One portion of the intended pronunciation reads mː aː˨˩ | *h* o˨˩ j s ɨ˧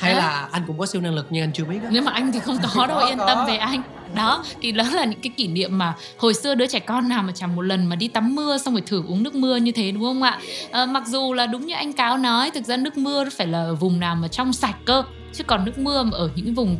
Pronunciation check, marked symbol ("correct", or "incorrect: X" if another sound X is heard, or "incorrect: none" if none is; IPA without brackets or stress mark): correct